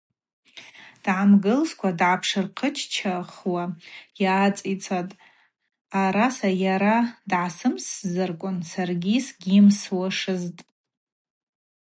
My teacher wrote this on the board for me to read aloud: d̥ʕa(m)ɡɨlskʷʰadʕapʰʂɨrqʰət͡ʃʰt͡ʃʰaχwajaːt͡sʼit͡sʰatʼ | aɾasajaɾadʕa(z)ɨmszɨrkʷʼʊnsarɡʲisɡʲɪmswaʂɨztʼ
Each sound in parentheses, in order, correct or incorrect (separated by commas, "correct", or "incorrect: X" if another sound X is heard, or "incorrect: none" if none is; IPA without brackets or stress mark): correct, incorrect: s